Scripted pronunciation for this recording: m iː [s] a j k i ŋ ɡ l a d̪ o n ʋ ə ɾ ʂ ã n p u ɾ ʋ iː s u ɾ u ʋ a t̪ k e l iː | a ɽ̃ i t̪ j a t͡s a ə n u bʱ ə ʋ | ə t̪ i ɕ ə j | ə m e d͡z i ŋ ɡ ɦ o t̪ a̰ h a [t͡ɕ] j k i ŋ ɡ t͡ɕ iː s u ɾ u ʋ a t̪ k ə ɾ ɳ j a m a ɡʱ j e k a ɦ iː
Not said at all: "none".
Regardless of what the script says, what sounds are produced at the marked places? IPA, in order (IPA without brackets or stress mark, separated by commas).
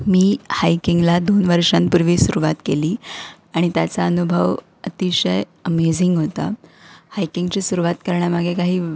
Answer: h, none